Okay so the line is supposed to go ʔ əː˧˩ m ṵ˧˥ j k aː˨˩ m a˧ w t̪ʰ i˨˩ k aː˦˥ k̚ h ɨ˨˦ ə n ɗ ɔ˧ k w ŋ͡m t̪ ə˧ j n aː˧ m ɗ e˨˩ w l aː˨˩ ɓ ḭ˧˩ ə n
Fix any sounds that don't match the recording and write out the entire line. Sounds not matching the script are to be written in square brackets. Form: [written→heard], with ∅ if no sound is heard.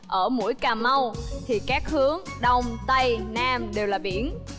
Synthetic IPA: ʔ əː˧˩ m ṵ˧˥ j k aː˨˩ m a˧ w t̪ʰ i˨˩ k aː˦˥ k̚ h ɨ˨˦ ə [n→ŋ] ɗ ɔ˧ [k→∅] w ŋ͡m t̪ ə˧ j n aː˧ m ɗ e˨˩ w l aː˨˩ ɓ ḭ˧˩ ə n